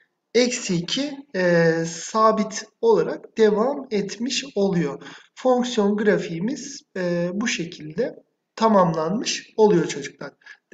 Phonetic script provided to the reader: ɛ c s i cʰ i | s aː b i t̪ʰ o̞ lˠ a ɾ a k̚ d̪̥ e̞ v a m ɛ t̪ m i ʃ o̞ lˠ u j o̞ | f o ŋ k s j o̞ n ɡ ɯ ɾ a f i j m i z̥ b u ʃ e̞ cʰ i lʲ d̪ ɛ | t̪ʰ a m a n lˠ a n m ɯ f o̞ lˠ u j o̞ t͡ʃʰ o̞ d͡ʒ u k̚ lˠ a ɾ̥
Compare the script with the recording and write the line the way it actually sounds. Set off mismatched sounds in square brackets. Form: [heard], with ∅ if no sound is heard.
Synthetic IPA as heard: ɛ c s i cʰ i | s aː b i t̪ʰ o̞ lˠ a ɾ a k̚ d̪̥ e̞ v a m ɛ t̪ m i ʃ o̞ lˠ u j o̞ | f o ŋ k s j o̞ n ɡ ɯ ɾ a f i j m i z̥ b u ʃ e̞ cʰ i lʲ d̪ ɛ | t̪ʰ a m a [m] lˠ a n m ɯ [ʃ] o̞ lˠ u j o̞ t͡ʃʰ o̞ d͡ʒ u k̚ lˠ a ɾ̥